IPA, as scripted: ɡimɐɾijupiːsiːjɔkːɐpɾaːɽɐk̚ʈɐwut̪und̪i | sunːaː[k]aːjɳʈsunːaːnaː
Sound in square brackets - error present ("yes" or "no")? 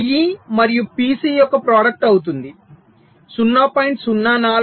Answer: yes